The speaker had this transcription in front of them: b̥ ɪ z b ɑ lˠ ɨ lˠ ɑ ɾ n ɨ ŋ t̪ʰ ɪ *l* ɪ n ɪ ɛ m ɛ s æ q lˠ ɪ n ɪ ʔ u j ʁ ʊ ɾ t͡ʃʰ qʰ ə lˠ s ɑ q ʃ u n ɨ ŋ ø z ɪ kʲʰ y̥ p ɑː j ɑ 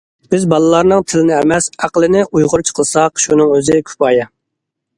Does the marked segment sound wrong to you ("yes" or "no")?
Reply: no